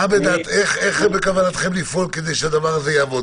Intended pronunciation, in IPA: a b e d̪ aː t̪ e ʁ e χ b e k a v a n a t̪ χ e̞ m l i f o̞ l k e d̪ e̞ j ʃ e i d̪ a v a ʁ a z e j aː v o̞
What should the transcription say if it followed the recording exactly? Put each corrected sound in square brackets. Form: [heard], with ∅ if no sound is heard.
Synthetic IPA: a b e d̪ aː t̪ e [χ] e χ b e k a v a n a t̪ χ e̞ m l i f o̞ l k e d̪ e̞ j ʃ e [a] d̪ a v a ʁ a z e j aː v o̞